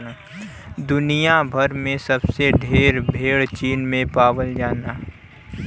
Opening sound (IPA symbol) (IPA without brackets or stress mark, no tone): d̪